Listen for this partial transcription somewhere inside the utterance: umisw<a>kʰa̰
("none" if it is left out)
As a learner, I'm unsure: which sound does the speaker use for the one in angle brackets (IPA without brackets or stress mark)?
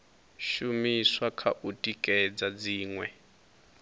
a